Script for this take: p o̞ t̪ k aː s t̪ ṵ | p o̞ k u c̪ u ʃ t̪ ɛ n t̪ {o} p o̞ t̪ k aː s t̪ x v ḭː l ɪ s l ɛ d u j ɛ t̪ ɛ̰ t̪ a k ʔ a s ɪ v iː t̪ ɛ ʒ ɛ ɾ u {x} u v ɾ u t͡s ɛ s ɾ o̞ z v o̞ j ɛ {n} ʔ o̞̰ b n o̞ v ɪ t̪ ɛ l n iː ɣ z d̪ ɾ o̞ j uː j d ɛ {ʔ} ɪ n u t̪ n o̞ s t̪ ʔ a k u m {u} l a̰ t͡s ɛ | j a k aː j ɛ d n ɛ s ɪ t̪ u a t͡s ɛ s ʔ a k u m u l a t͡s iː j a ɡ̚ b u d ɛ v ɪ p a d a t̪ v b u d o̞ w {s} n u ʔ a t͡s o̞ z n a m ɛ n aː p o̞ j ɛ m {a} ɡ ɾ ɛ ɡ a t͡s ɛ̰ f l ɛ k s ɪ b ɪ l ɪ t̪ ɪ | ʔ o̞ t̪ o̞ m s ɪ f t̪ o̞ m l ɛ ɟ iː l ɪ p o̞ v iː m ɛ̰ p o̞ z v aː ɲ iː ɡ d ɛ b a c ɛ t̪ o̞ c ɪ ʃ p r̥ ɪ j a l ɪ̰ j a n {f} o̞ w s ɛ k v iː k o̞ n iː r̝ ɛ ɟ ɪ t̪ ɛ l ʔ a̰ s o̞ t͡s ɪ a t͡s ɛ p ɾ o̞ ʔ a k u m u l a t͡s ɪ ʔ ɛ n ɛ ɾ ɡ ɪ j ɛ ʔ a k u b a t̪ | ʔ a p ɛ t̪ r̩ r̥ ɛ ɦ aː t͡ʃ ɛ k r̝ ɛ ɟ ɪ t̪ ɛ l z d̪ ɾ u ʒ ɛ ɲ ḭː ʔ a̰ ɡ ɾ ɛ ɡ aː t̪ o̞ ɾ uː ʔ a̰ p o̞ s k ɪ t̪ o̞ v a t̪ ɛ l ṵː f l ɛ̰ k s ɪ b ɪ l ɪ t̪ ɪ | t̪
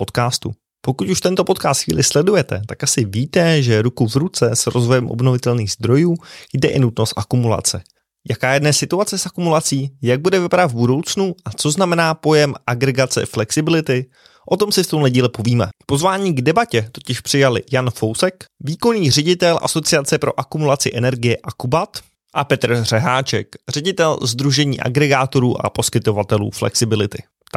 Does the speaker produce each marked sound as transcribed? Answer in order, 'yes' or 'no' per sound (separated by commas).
yes, no, no, yes, yes, no, yes, yes